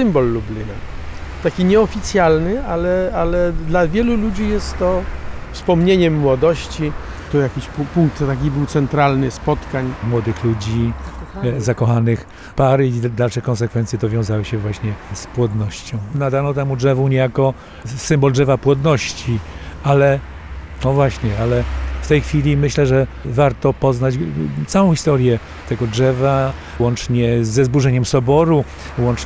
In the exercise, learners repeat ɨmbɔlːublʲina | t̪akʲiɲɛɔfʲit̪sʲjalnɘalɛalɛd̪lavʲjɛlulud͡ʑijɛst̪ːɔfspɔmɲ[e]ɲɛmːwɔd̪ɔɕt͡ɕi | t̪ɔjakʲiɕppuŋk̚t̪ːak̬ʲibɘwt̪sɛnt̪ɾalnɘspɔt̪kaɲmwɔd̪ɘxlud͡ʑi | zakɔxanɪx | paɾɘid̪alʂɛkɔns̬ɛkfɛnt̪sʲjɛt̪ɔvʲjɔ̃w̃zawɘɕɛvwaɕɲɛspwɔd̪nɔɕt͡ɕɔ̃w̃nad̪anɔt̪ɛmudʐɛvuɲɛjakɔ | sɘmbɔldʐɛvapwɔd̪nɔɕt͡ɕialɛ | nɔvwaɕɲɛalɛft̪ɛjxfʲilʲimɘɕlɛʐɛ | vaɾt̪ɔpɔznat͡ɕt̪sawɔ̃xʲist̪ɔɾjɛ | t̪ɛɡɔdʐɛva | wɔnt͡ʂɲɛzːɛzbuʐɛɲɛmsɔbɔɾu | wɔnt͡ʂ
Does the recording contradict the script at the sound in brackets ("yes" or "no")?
no